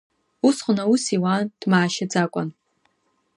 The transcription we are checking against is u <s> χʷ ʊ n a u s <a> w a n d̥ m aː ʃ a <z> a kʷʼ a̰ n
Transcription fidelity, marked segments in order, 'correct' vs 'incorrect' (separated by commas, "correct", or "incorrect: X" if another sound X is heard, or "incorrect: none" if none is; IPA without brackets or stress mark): correct, incorrect: i, incorrect: d͡z